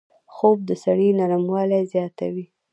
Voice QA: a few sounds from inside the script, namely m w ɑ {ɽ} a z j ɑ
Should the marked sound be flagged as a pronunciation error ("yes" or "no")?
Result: yes